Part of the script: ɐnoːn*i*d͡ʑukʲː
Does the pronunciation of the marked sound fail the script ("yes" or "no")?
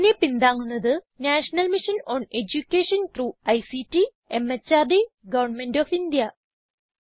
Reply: yes